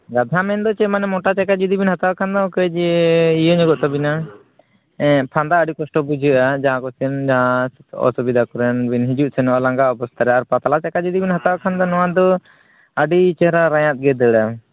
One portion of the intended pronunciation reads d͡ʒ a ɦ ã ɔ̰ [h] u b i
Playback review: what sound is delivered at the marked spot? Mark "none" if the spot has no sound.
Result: s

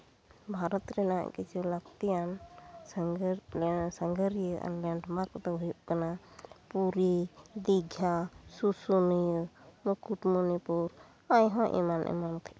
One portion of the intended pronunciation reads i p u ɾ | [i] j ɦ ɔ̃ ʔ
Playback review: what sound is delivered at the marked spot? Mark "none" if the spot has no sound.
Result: a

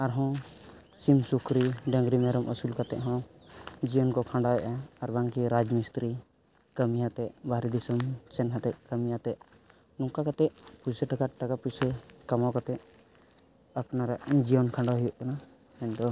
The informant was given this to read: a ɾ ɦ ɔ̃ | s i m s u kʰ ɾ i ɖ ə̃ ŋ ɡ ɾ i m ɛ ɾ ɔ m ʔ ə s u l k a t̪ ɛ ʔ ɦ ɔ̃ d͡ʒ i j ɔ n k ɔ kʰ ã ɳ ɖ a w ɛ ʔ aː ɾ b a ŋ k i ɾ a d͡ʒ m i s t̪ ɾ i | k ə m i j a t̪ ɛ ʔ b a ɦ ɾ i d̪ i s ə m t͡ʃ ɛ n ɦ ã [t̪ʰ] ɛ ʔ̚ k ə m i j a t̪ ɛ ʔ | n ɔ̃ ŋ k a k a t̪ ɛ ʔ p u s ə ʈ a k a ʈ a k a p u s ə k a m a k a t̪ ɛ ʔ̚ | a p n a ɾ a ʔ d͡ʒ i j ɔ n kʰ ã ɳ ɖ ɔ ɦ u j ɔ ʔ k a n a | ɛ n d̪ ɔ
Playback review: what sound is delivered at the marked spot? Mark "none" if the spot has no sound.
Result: t̪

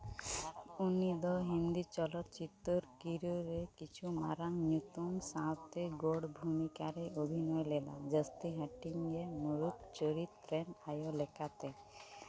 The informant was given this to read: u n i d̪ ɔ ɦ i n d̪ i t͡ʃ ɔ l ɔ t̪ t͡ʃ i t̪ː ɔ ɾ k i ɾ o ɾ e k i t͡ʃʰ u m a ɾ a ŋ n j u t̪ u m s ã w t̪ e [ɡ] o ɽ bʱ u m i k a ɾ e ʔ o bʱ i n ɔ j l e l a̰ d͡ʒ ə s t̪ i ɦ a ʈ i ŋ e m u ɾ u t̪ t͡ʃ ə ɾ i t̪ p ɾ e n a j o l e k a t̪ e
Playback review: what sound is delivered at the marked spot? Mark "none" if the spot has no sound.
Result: ɡ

